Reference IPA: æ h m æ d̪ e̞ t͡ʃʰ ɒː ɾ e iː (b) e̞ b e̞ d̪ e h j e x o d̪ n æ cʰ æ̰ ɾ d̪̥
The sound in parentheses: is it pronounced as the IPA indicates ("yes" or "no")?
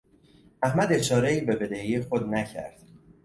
yes